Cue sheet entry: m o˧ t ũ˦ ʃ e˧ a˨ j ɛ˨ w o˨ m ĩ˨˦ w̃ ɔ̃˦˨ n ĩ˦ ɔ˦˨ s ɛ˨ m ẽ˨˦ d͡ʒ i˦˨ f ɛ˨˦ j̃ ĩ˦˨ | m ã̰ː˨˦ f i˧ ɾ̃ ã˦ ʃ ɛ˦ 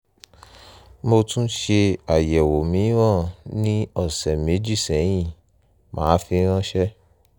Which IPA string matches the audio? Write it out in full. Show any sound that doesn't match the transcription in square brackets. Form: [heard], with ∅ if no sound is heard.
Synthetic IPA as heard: m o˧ t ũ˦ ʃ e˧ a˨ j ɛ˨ w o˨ m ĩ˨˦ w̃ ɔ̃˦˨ n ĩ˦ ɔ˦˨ s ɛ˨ m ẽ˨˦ d͡ʒ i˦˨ [s] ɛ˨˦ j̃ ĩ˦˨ | m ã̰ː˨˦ f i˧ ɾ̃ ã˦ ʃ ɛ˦